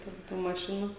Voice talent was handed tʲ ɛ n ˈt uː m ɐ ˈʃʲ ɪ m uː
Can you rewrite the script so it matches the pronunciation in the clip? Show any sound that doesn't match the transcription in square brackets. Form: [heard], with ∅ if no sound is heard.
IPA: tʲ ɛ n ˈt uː m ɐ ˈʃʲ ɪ [n] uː